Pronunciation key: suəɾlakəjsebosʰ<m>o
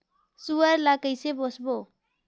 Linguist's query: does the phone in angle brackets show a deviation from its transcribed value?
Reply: yes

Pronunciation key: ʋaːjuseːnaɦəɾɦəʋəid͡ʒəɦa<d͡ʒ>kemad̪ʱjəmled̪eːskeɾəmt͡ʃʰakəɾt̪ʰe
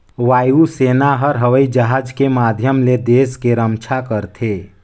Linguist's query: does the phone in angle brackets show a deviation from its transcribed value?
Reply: no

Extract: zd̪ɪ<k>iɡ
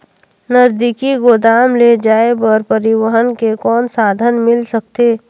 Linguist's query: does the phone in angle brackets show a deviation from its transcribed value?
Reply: no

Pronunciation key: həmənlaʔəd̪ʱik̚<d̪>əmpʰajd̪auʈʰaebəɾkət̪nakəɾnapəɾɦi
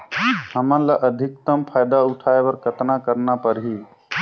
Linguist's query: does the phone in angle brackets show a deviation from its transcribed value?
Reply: yes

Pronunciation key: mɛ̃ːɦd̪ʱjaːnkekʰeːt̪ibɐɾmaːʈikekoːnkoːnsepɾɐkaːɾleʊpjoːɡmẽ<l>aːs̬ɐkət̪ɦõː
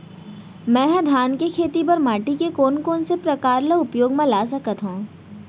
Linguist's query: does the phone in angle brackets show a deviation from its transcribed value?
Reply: no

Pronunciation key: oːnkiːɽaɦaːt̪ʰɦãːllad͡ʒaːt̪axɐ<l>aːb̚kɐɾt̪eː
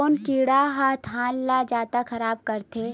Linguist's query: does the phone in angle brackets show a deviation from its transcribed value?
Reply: yes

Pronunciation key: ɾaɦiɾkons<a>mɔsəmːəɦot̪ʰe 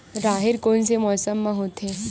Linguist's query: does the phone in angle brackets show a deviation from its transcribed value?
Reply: yes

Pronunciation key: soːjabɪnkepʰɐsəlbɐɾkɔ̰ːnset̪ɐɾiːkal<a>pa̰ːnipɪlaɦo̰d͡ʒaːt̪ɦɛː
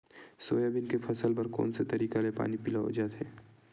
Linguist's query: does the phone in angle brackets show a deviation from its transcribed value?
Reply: yes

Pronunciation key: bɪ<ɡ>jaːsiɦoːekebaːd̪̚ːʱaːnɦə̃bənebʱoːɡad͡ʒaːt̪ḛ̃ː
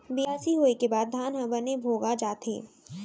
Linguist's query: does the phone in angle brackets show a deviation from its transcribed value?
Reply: yes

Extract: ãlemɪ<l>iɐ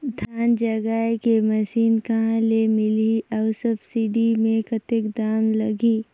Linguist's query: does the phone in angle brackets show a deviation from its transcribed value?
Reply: no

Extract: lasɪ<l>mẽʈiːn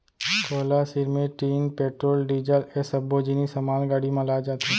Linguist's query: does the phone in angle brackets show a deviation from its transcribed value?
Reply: yes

